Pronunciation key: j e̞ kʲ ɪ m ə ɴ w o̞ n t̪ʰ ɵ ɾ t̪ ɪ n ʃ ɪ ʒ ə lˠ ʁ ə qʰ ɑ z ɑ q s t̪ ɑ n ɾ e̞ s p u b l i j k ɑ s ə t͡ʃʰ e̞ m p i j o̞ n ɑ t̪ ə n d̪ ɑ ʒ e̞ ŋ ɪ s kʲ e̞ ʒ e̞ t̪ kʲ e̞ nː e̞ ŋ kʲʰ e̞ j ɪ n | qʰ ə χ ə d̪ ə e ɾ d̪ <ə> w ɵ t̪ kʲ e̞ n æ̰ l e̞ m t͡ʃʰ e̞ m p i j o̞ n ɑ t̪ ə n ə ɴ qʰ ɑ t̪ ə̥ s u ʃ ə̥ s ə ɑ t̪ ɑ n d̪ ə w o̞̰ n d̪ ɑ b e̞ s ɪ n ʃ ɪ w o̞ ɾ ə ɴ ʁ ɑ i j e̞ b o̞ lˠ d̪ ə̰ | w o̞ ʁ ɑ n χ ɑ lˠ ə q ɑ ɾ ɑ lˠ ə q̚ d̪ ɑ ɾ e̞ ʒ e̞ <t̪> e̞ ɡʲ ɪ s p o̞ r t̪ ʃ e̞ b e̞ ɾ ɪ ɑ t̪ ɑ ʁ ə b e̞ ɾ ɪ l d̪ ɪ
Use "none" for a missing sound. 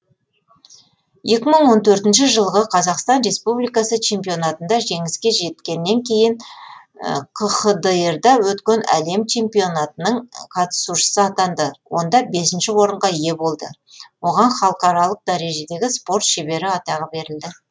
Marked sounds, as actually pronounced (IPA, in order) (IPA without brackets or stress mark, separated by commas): ɑ, d̪